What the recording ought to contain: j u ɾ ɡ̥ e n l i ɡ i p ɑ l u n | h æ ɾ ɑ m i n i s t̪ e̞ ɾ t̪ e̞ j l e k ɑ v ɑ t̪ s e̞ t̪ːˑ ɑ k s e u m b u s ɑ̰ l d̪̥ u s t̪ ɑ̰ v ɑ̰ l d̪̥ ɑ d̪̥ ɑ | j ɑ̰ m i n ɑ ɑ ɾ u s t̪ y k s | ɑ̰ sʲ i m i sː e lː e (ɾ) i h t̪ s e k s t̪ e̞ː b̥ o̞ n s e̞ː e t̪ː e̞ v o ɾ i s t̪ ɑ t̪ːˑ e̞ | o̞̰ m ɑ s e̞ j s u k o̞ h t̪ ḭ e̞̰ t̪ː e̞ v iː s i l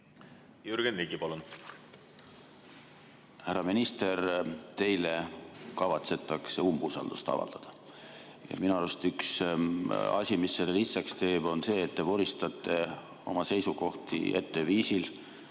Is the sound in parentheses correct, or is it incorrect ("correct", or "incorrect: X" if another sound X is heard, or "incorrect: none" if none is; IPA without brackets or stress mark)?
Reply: incorrect: l